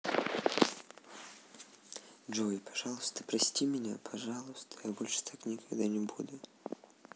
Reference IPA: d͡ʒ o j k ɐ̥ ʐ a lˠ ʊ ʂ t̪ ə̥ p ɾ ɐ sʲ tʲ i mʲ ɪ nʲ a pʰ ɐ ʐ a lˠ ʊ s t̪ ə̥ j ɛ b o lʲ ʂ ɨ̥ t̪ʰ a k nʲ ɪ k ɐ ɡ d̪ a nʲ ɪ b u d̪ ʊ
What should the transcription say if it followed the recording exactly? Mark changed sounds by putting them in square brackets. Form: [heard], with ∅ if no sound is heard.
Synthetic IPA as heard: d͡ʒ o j [p] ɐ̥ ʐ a lˠ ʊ [s] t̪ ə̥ p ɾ ɐ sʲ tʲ i mʲ ɪ nʲ a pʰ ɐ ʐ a lˠ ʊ s t̪ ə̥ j [a] b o lʲ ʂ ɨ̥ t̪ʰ a k nʲ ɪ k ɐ ɡ d̪ a nʲ ɪ b u d̪ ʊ

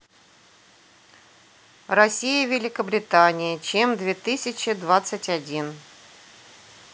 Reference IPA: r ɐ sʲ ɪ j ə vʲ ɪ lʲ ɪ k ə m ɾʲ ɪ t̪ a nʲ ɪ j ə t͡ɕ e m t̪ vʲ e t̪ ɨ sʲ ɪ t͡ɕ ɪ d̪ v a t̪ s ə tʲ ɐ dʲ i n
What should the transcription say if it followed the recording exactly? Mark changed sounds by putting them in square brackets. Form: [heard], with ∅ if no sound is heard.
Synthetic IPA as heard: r ɐ sʲ [i] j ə vʲ ɪ lʲ ɪ k ə [b] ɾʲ ɪ t̪ a nʲ ɪ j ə t͡ɕ e m [d̪] vʲ e t̪ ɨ sʲ ɪ t͡ɕ ɪ d̪ v a t̪ s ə tʲ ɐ dʲ i n

